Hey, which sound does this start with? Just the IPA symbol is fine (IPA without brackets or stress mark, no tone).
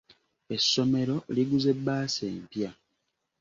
e̞